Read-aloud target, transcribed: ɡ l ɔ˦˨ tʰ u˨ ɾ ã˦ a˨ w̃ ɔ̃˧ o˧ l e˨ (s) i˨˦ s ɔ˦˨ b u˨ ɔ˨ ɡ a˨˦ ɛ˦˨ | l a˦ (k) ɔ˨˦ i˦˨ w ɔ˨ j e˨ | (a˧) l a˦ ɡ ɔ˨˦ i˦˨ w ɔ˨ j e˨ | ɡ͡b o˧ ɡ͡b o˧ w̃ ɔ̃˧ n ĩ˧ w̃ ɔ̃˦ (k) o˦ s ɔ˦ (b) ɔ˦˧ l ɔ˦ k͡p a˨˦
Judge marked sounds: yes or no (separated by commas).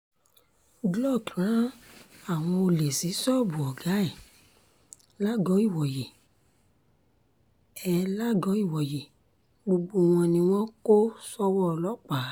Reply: yes, no, no, yes, no